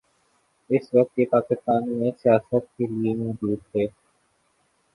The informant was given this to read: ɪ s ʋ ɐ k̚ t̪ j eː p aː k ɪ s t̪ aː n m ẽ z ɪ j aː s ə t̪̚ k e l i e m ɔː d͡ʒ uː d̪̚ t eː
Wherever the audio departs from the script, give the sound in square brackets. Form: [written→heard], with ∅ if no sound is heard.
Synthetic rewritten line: ɪ s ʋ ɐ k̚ t̪ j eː p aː k ɪ s t̪ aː n m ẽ [z→s] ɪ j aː s ə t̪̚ k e l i e m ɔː d͡ʒ uː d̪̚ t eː